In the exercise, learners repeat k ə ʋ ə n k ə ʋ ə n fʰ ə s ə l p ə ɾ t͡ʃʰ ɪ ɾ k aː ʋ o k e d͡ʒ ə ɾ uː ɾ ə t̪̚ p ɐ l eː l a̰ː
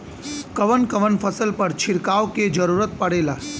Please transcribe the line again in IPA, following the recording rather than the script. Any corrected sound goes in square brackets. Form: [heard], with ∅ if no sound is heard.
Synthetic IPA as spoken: k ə ʋ ə n k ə ʋ ə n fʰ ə s ə l p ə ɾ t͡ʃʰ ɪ ɾ k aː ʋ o k e d͡ʒ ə ɾ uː ɾ ə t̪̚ p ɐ [ɽ] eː l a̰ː